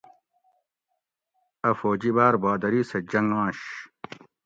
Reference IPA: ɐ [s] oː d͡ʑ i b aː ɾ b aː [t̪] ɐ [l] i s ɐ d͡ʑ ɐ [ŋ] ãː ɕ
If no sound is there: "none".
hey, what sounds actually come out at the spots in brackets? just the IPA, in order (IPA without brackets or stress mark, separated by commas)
f, d̪, ɾ, ŋ